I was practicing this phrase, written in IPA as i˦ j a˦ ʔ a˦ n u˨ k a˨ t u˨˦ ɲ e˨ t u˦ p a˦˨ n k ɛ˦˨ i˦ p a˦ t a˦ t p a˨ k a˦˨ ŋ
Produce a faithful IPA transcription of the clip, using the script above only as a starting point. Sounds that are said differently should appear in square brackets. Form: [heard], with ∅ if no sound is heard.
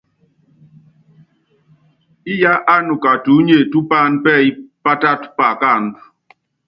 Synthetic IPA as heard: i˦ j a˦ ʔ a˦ n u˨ k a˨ t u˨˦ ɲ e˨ t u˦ p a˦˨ n [p] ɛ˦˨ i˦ p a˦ t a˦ t p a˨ k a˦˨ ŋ